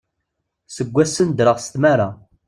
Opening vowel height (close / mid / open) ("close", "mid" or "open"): mid